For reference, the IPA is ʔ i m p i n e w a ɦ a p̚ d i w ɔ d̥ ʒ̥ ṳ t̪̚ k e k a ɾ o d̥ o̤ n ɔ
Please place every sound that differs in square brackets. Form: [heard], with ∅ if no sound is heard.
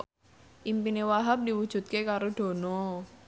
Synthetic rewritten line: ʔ i m p i n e w a ɦ a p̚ d i w [u] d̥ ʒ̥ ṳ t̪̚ k e k a ɾ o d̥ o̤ n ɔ